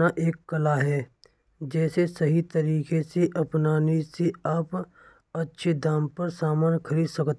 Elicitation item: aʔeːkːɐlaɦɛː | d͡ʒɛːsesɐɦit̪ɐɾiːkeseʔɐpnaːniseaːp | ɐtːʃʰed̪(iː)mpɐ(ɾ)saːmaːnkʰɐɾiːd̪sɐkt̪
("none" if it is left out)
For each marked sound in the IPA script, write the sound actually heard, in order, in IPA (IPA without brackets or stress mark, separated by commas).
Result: aː, ɾ